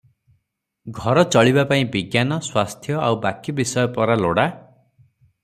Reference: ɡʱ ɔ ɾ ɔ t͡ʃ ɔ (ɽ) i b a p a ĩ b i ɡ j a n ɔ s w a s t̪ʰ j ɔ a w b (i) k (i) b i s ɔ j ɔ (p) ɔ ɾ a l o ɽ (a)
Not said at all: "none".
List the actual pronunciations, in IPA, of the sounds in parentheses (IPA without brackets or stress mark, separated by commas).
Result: ɭ, a, i, p, a